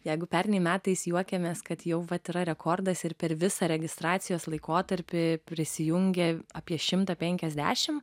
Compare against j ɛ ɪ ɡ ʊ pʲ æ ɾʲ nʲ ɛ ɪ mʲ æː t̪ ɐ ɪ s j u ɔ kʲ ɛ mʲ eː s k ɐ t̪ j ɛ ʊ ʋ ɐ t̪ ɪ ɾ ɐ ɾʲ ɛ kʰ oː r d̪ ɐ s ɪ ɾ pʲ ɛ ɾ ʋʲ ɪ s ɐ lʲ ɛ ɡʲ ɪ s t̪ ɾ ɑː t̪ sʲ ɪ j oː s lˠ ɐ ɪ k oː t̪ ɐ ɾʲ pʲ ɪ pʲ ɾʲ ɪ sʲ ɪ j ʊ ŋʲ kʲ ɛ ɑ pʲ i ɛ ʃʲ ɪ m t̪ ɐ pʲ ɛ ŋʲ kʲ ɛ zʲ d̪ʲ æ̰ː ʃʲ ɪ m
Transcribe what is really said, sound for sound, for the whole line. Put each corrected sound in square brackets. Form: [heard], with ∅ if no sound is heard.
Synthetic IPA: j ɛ ɪ ɡ ʊ pʲ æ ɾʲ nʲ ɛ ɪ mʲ æː t̪ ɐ ɪ s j u ɔ kʲ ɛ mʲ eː s k ɐ t̪ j ɛ ʊ ʋ ɐ t̪ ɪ ɾ ɐ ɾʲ ɛ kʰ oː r d̪ ɐ s ɪ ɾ pʲ ɛ ɾ ʋʲ ɪ s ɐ [ɾʲ] ɛ ɡʲ ɪ s t̪ ɾ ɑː t̪ sʲ ɪ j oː s lˠ ɐ ɪ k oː t̪ ɐ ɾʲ pʲ ɪ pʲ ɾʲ ɪ sʲ ɪ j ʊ ŋʲ [ɡʲ] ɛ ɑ pʲ i ɛ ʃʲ ɪ m t̪ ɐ pʲ ɛ ŋʲ kʲ ɛ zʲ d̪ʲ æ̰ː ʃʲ ɪ m